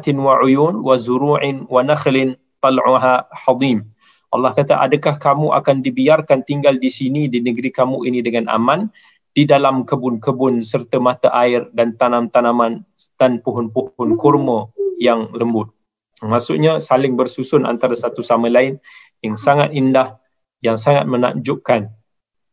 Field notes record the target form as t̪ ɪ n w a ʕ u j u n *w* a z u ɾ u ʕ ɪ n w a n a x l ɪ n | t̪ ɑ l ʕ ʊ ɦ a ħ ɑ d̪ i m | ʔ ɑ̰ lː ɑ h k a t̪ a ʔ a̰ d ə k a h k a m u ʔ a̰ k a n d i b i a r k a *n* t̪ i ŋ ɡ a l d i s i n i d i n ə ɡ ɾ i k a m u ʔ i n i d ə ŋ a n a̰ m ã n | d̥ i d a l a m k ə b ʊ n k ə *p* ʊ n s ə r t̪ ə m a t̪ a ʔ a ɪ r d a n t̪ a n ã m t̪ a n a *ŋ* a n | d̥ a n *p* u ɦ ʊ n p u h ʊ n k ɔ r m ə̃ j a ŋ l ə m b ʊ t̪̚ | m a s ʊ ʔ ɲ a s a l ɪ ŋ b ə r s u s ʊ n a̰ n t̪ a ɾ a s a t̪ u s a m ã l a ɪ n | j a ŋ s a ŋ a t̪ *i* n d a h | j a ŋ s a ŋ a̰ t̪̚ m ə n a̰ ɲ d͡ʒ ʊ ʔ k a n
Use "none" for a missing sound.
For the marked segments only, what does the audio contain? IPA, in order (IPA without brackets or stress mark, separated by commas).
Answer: w, n, b, m, p, i